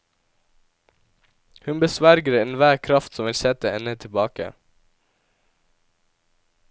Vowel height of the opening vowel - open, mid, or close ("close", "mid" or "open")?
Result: close